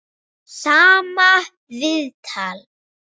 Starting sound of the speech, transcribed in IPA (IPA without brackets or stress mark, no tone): s